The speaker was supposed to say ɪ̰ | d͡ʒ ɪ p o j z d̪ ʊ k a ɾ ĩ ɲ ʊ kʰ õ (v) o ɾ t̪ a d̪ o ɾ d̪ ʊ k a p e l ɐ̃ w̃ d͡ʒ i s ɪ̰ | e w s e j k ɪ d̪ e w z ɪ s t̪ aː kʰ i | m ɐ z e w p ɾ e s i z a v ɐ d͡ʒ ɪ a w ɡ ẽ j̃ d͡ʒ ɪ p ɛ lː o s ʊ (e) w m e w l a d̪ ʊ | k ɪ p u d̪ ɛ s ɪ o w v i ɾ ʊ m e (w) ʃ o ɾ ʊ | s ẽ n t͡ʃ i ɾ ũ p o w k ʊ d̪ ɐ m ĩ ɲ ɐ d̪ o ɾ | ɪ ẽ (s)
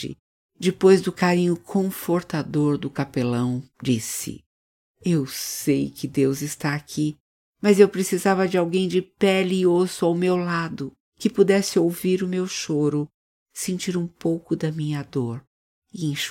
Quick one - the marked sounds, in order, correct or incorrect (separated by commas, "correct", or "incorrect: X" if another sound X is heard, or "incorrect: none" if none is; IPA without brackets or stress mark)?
incorrect: f, incorrect: a, correct, incorrect: ʃ